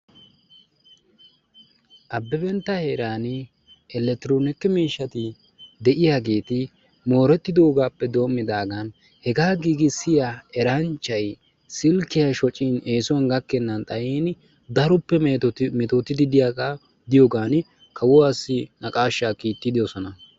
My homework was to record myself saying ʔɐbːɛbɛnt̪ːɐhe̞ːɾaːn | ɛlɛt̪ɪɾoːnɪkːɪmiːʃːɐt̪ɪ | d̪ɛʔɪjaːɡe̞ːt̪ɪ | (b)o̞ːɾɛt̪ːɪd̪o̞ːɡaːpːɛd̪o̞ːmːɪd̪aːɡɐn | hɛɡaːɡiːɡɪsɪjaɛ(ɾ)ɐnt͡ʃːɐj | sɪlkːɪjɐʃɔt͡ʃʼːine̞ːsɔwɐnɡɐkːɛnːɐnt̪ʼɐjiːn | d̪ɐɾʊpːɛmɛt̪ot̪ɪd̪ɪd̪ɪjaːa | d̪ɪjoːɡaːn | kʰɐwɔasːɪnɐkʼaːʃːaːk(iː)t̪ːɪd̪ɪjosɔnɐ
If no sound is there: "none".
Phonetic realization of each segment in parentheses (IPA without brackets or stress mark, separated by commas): m, ɾ, iː